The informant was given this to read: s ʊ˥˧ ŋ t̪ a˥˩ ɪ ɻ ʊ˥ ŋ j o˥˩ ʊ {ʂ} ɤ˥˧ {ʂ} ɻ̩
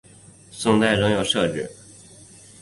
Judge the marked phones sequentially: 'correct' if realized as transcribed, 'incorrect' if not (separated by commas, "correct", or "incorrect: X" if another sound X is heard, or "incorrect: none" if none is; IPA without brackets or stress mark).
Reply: correct, incorrect: ʈ͡ʂ